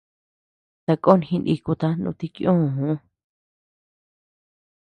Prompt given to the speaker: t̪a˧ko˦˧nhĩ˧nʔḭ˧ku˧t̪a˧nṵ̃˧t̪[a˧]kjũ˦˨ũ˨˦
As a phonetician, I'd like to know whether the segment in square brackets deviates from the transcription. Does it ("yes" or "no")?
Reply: yes